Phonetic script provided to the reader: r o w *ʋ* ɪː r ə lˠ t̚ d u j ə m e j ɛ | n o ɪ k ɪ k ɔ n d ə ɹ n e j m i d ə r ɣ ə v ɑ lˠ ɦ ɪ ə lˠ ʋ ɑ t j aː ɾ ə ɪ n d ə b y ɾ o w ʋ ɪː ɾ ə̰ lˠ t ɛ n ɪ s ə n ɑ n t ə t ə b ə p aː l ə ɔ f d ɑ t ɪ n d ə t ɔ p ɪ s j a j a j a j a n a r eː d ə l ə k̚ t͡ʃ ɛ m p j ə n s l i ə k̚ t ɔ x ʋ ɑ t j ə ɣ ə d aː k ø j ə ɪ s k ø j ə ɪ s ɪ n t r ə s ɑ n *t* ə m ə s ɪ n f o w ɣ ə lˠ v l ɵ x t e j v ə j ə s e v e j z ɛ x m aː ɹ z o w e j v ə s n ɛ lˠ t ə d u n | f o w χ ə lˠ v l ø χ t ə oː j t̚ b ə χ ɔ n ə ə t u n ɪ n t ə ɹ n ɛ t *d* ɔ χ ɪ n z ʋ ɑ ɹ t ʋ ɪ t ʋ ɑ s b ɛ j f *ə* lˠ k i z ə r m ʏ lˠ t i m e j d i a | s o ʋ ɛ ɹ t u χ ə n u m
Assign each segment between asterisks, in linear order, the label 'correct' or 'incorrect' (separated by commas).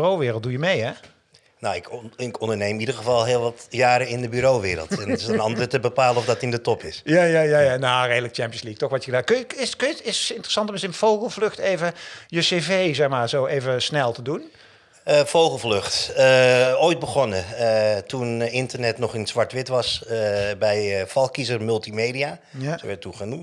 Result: correct, correct, incorrect, incorrect